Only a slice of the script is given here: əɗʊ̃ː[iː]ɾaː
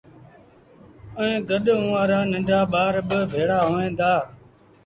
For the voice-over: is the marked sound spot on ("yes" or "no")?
no